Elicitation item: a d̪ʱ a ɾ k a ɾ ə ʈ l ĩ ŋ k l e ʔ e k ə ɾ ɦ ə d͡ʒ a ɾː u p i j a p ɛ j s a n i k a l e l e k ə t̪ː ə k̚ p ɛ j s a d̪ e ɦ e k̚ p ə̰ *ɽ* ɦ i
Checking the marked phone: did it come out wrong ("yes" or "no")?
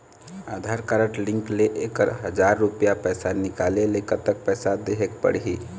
no